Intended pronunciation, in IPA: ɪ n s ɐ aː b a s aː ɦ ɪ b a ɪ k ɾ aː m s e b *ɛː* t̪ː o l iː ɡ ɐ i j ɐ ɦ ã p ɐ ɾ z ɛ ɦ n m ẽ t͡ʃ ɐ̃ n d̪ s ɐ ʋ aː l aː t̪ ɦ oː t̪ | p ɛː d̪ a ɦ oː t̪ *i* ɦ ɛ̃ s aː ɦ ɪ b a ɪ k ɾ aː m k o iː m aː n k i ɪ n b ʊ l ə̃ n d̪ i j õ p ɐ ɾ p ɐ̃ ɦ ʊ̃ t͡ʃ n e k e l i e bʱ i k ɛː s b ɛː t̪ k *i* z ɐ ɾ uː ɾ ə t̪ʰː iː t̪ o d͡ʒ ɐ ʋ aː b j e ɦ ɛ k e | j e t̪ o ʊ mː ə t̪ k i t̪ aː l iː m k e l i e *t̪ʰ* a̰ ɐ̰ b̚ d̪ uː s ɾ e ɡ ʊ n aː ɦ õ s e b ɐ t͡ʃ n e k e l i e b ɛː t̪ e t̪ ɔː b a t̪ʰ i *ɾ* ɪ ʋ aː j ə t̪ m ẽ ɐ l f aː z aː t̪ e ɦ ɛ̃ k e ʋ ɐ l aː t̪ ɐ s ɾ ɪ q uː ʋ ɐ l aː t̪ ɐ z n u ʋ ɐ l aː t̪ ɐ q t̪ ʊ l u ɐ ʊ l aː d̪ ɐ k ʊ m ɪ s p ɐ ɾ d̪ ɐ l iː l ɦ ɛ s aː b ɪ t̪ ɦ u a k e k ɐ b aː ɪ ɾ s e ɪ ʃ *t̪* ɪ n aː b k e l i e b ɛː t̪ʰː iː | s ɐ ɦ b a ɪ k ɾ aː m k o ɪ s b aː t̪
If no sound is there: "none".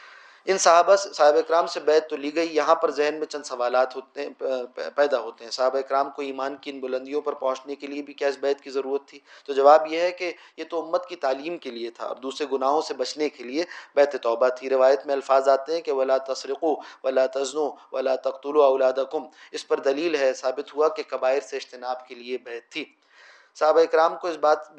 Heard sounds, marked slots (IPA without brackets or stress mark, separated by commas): ɛː, e, i, t̪ʰ, ɾ, t̪